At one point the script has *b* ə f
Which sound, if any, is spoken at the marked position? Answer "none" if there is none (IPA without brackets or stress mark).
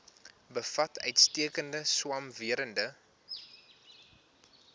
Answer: b